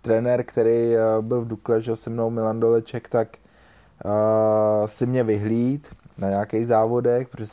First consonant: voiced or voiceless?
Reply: voiceless